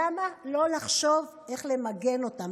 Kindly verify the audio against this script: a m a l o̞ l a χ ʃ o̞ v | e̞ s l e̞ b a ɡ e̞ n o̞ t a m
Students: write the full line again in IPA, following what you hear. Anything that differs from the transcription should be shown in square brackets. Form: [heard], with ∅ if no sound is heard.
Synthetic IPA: a m a l o̞ l a χ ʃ o̞ v | e̞ [χ] l e̞ [m] a ɡ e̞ n o̞ t a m